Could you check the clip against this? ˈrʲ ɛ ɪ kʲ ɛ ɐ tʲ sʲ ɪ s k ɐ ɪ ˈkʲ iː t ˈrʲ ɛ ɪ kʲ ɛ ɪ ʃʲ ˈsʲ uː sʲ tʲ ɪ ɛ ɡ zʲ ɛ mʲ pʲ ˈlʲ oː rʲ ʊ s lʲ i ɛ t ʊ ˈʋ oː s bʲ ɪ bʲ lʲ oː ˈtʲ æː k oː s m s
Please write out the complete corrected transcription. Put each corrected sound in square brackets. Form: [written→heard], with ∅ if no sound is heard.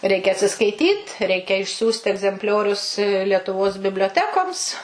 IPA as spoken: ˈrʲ ɛ ɪ kʲ ɛ ɐ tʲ sʲ ɪ s k ɐ ɪ [ˈkʲ→ˈtʲ] iː t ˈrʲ ɛ ɪ kʲ ɛ ɪ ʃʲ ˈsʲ uː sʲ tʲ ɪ ɛ ɡ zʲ ɛ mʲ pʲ ˈlʲ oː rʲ ʊ s lʲ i ɛ t ʊ ˈʋ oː s bʲ ɪ bʲ lʲ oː ˈtʲ æː k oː [s→∅] m s